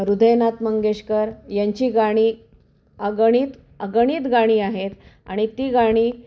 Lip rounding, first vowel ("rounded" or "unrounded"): rounded